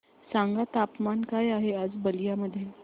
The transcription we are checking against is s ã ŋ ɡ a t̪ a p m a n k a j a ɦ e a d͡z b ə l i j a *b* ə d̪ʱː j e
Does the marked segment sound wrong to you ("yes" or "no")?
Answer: yes